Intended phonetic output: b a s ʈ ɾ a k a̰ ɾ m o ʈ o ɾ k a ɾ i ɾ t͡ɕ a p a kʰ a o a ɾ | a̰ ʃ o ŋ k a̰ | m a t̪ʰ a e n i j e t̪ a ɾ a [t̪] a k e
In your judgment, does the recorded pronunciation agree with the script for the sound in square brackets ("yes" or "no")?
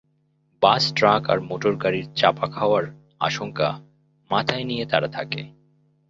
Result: no